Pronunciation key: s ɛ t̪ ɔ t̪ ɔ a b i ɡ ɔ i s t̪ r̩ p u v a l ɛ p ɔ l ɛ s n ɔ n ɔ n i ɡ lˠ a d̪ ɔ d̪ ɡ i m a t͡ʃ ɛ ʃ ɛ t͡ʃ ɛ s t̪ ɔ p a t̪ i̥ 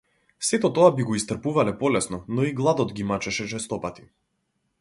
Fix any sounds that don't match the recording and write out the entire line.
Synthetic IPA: s ɛ t̪ ɔ t̪ ɔ a b i ɡ ɔ i s t̪ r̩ p u v a l ɛ p ɔ l ɛ s n ɔ n ɔ i ɡ lˠ a d̪ ɔ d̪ ɡ i m a t͡ʃ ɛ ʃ ɛ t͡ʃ ɛ s t̪ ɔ p a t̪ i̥